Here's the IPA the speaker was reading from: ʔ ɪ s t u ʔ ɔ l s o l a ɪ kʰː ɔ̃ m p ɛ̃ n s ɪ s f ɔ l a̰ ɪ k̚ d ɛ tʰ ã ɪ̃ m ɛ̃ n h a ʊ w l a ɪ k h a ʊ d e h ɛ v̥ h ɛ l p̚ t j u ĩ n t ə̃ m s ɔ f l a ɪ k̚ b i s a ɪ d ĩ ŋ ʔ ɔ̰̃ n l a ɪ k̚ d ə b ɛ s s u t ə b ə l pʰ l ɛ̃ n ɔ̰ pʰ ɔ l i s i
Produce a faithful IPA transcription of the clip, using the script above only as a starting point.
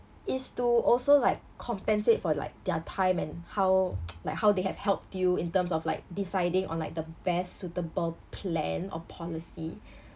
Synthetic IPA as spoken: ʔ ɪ s t u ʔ ɔ l s o l a ɪ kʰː ɔ̃ m p ɛ̃ n s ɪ t f ɔ l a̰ ɪ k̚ d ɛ tʰ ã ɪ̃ m ɛ̃ n h a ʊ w l a ɪ k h a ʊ d e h ɛ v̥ h ɛ l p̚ t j u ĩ n t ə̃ m s ɔ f l a ɪ k̚ d i s a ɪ d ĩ ŋ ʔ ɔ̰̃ n l a ɪ k̚ d ə b ɛ s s u t ə b ə l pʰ l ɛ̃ n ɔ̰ pʰ ɔ l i s i